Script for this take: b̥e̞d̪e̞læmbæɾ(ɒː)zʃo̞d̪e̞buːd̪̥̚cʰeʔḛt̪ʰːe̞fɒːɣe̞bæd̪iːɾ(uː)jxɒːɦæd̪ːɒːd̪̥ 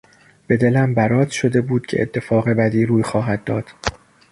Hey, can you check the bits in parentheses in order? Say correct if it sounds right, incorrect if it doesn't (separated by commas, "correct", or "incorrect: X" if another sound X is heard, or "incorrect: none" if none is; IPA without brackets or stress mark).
correct, correct